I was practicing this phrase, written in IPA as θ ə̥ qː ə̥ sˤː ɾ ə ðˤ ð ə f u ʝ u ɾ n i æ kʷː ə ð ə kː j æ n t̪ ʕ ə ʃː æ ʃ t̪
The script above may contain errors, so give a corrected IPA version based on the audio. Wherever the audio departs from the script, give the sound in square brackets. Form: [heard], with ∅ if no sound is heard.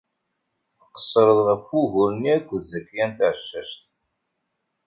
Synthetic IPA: θ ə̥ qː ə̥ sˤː ɾ ə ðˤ [ʁ] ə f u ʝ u ɾ n i æ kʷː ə [z] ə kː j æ n t̪ ʕ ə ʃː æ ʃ t̪

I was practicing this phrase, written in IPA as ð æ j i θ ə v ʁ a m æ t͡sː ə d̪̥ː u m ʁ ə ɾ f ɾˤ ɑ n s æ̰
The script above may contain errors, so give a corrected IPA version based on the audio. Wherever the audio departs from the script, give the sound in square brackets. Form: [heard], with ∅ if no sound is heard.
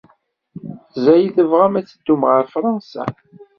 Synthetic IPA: [z] æ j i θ ə v ʁ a m æ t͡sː ə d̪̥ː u m ʁ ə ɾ f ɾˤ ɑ n s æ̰

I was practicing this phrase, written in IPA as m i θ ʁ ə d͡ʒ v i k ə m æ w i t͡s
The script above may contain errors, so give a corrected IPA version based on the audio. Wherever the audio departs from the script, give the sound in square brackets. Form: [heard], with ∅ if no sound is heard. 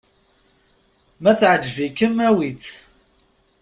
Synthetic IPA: m [æ] θ [ʕ] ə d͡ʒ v i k ə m æ w i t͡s

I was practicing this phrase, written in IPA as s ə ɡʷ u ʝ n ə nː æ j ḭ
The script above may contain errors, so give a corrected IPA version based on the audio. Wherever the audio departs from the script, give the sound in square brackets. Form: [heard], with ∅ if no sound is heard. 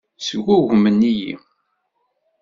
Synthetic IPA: s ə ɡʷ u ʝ [m] ə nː [i] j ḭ

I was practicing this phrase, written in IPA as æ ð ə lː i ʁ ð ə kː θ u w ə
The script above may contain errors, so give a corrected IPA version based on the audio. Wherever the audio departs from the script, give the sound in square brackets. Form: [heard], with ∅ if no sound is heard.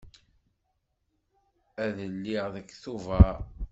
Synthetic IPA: æ ð ə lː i ʁ ð ə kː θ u [v] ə

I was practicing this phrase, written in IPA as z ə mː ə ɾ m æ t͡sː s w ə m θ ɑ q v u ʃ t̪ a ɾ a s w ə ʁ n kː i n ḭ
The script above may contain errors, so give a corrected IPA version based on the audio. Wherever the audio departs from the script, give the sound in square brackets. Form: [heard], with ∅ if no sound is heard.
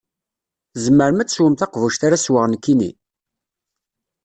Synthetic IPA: z ə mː ə ɾ m æ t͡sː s w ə m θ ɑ q v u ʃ t̪ a ɾ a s w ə ʁ n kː i n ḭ

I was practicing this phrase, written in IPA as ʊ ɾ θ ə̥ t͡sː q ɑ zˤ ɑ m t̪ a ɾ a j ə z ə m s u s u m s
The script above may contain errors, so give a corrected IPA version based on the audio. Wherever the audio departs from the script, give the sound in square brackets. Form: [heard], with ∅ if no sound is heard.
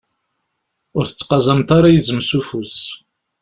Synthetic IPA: ʊ ɾ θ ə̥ t͡sː q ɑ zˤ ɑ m t̪ a ɾ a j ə z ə m s u [f] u [∅] s

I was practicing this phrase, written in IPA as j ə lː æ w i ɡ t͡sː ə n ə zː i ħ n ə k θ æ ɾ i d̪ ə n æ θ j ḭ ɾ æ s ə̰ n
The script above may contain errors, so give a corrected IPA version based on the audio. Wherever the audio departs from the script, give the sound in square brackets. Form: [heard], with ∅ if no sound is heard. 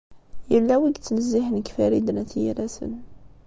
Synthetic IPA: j ə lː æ w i ɡ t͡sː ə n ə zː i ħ n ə k [f] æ ɾ i d̪ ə n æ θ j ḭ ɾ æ s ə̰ n

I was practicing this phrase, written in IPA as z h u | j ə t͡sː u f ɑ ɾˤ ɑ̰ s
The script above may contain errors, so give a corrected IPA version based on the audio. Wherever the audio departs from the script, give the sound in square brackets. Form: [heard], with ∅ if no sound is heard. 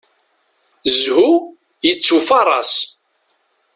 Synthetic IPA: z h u | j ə t͡sː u f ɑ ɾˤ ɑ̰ s

